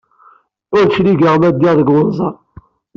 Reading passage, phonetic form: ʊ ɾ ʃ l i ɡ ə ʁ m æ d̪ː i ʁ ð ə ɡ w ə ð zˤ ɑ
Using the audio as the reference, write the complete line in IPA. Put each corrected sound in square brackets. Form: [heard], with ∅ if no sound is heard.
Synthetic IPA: ʊ ɾ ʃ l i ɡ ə ʁ m æ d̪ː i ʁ ð ə ɡ w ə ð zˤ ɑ